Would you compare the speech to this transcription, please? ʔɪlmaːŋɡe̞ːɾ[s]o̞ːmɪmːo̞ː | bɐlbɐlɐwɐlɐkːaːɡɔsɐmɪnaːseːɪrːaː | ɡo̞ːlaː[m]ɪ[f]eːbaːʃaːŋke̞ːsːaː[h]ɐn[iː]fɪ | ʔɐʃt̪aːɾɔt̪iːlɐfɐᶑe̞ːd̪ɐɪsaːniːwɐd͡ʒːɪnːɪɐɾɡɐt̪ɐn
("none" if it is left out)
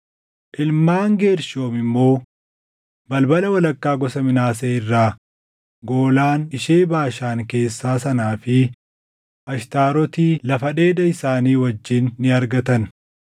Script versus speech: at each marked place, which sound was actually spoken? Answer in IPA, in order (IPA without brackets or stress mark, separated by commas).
ʃ, n, ʃ, s, aː